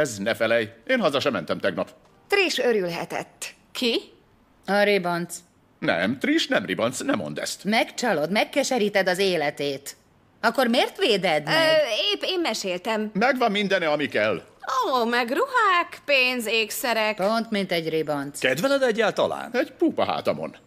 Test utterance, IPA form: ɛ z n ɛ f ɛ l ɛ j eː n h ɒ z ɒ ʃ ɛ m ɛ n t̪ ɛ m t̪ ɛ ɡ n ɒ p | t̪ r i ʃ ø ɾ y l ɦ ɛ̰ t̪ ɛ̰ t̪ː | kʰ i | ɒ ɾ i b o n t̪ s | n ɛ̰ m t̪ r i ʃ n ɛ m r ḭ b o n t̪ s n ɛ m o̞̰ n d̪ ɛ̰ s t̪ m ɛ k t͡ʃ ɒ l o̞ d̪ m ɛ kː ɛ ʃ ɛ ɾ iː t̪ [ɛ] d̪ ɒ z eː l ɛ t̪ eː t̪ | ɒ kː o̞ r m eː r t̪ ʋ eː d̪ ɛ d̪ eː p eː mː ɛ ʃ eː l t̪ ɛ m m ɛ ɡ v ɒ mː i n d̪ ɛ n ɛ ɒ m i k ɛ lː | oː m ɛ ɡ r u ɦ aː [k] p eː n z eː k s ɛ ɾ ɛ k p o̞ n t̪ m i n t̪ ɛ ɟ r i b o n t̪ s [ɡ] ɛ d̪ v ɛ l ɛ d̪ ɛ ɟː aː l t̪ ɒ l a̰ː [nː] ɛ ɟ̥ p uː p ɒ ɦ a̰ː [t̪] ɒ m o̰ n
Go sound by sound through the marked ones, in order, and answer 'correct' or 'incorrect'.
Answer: correct, correct, incorrect: k, incorrect: n, correct

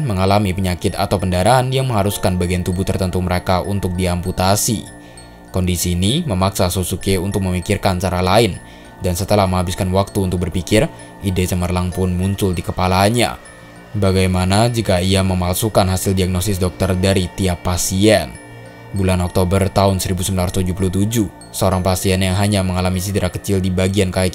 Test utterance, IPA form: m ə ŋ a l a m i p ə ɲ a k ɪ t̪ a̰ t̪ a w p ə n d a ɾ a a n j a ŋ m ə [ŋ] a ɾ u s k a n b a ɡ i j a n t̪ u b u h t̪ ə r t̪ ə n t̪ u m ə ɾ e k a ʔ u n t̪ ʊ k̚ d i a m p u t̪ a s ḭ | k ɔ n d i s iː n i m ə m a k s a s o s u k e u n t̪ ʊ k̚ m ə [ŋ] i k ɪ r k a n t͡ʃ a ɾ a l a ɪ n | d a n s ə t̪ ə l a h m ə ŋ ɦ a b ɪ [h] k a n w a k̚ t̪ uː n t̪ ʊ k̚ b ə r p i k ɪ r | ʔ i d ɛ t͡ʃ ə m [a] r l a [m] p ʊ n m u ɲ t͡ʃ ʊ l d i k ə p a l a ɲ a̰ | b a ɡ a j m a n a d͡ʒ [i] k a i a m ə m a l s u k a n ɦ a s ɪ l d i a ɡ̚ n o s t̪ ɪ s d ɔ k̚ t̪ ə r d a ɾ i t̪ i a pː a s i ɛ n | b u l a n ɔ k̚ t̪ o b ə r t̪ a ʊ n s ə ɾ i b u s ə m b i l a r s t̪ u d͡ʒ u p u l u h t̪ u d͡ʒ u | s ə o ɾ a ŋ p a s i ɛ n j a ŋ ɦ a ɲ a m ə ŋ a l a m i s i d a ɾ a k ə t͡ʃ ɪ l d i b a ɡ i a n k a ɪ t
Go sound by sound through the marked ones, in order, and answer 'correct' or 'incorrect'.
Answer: correct, incorrect: m, incorrect: s, incorrect: ə, incorrect: ŋ, correct

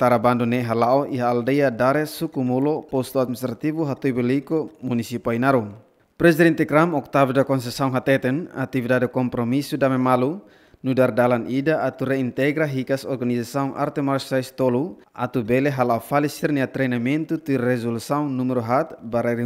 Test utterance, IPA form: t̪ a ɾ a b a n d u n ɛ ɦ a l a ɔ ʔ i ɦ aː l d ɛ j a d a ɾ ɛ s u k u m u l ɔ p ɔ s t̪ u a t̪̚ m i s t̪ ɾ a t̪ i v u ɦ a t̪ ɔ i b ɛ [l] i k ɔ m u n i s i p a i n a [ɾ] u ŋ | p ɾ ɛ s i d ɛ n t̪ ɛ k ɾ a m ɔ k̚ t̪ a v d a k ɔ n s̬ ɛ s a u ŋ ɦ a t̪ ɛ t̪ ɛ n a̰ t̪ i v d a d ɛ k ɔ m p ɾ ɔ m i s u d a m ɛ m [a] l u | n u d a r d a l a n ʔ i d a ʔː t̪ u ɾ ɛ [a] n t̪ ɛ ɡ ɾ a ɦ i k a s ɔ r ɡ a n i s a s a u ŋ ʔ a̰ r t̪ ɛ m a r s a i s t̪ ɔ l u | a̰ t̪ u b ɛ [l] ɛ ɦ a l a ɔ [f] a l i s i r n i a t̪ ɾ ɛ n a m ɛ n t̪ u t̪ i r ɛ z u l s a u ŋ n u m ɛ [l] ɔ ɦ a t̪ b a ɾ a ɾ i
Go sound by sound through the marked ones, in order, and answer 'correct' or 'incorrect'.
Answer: correct, correct, correct, incorrect: i, correct, correct, incorrect: ɾ

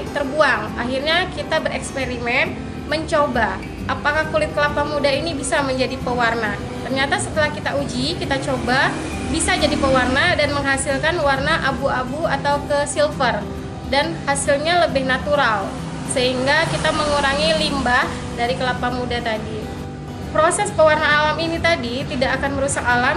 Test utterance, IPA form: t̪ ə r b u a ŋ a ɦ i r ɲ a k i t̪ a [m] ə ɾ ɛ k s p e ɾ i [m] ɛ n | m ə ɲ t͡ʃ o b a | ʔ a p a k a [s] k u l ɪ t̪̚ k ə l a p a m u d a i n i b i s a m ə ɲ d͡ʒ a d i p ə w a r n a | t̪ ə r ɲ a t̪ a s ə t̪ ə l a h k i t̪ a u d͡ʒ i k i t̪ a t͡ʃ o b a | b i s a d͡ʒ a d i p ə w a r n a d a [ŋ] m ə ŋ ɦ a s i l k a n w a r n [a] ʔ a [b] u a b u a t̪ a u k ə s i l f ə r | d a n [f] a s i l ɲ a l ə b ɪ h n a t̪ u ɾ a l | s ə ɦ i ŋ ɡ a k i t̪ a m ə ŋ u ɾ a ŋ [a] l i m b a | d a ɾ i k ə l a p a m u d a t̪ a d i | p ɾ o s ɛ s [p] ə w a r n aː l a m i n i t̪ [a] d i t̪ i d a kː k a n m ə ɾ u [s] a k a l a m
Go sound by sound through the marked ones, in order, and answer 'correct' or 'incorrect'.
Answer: incorrect: b, correct, incorrect: h, incorrect: n, correct, correct, incorrect: h, incorrect: i, correct, correct, correct

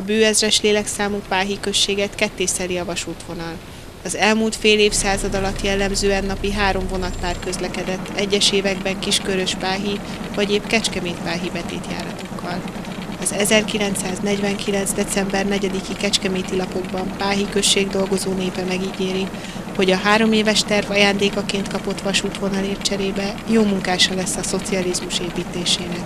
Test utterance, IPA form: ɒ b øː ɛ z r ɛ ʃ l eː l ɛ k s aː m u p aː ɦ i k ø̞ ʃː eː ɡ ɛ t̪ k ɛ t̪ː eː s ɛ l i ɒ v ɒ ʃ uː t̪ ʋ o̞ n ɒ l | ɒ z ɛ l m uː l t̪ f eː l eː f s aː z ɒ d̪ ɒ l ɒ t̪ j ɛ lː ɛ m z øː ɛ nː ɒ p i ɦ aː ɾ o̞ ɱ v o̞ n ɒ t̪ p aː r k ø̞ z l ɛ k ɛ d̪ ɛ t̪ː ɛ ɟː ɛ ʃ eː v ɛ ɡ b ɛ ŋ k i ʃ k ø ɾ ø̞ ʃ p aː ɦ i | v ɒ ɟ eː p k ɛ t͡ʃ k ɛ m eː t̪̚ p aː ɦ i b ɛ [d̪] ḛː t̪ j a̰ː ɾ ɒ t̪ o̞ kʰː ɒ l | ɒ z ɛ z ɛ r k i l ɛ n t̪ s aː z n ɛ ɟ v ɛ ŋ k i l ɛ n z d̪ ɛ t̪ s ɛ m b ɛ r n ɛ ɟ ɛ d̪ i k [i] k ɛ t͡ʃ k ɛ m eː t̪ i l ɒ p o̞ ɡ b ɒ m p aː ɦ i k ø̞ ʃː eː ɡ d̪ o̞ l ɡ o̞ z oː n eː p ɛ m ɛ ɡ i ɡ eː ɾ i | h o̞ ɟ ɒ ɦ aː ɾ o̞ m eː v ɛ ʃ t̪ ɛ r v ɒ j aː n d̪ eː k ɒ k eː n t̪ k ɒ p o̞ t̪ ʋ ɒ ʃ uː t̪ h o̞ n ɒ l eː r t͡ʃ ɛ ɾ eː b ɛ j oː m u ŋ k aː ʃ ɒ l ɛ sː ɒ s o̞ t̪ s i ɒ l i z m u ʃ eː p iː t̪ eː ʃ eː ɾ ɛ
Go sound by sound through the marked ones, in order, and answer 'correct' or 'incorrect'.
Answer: incorrect: t̪, correct

